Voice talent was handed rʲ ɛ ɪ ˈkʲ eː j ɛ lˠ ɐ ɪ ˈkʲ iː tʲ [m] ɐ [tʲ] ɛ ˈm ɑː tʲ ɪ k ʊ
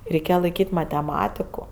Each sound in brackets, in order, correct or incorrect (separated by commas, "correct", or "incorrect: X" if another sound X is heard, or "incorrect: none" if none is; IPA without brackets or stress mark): correct, correct